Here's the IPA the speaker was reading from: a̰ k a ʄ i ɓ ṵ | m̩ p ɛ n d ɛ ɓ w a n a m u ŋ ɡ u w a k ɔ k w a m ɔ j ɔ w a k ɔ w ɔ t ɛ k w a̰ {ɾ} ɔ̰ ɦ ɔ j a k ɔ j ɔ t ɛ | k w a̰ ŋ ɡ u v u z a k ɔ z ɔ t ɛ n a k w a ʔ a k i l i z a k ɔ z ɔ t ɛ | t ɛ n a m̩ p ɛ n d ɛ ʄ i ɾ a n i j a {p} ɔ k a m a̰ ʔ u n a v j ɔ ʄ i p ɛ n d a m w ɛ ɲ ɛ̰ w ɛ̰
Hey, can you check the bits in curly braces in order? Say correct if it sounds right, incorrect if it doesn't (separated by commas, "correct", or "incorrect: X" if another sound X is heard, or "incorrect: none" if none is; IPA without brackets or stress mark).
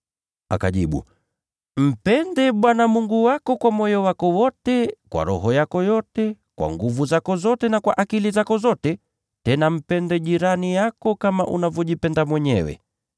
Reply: correct, incorrect: k